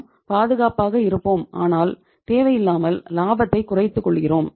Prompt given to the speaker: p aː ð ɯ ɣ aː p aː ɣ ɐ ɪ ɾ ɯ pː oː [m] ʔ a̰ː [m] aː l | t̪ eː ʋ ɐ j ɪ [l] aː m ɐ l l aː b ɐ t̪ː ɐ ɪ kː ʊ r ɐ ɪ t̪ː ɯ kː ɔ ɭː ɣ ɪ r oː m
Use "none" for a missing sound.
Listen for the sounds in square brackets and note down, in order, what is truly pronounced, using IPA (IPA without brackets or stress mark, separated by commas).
m, n, lː